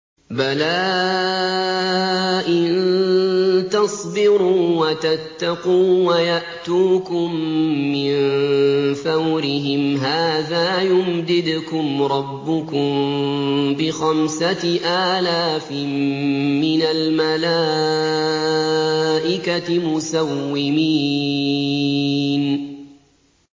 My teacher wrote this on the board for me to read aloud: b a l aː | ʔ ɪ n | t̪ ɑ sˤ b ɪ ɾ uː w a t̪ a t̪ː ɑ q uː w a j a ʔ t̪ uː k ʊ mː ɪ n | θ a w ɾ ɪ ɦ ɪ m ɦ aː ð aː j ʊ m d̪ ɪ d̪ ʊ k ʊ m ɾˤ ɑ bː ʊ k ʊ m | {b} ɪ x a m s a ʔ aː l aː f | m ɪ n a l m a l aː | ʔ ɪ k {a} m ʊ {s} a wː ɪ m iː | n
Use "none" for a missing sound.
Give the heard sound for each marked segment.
b, a, s

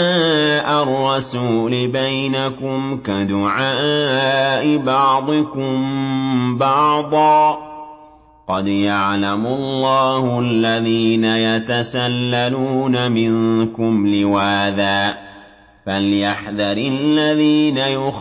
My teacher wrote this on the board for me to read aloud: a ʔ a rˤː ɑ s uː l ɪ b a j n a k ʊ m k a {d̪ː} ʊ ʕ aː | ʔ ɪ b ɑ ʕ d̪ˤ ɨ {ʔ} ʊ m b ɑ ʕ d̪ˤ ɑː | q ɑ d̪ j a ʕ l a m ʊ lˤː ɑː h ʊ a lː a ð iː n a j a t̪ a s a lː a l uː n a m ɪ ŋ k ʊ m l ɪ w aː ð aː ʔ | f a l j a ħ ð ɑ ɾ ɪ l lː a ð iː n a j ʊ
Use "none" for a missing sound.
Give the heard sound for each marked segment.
d̪, k

